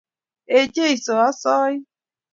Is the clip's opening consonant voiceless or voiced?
voiced